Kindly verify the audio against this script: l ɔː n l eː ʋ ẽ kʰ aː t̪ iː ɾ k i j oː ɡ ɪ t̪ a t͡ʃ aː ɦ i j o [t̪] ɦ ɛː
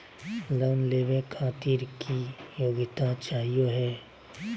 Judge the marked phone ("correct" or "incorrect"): incorrect